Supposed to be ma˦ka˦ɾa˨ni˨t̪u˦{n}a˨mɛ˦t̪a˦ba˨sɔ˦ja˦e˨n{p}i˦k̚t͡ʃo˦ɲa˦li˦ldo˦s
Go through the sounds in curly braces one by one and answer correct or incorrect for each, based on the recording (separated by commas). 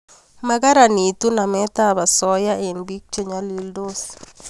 correct, incorrect